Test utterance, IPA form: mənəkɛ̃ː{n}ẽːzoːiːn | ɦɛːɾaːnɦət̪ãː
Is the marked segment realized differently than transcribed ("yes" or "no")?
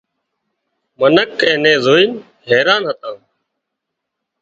no